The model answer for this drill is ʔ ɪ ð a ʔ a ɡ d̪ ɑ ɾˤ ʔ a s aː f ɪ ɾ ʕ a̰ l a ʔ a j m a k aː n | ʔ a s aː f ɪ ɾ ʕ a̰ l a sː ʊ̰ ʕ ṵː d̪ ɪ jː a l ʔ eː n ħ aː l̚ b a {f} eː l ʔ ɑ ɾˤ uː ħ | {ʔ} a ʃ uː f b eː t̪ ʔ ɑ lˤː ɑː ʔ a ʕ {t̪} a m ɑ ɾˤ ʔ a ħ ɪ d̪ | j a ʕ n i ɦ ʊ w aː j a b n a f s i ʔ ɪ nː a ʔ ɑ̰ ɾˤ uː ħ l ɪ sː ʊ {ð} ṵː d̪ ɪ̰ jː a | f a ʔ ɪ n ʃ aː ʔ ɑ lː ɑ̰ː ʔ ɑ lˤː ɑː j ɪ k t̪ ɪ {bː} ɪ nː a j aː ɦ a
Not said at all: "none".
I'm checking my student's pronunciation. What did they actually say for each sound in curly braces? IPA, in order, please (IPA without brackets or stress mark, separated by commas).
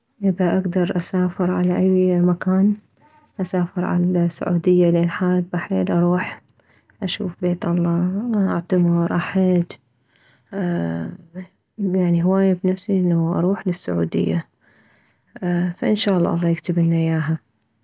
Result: ħ, ʔ, t̪, ʕ, b